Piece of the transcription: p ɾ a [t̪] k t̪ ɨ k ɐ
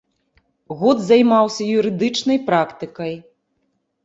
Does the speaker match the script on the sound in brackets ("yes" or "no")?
no